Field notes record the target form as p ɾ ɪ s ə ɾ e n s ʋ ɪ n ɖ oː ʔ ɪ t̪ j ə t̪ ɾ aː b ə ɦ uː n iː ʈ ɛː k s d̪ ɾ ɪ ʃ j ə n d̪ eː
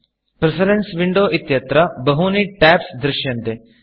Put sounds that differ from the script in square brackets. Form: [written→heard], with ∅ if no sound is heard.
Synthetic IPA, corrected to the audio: p ɾ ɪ s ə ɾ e n s ʋ ɪ [n→ɳ] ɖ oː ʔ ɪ t̪ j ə t̪ ɾ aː b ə ɦ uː n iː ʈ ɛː [k→p] s d̪ ɾ ɪ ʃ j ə n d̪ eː